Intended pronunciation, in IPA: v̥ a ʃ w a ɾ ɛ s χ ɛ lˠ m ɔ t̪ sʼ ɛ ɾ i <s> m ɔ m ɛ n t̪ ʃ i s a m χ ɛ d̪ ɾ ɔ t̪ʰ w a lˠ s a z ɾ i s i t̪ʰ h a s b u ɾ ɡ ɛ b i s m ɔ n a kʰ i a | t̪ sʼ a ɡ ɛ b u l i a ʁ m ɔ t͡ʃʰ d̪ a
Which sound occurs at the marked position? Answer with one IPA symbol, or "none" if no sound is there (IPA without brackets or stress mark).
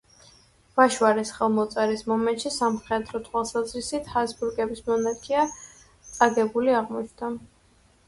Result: s